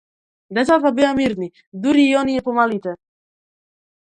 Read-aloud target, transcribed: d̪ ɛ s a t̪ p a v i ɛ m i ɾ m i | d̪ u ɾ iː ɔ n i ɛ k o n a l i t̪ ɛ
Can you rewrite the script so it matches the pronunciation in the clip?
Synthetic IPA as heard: d̪ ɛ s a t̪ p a b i a m i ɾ n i | d̪ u ɾ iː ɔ n i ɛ p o m a l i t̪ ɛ